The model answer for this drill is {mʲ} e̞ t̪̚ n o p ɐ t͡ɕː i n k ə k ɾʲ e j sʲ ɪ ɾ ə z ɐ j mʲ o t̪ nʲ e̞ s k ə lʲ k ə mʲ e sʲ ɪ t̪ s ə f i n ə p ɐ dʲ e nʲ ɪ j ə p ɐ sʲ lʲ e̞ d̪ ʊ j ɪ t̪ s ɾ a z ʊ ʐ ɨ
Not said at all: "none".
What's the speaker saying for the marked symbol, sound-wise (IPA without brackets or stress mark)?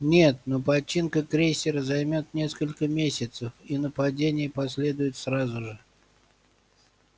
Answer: nʲ